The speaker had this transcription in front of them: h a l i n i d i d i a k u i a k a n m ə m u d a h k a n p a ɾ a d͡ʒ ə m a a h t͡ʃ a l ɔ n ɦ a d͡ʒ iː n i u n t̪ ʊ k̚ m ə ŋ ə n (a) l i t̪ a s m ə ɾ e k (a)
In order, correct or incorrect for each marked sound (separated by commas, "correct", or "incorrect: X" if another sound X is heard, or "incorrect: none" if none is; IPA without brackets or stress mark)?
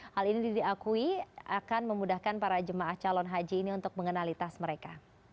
correct, correct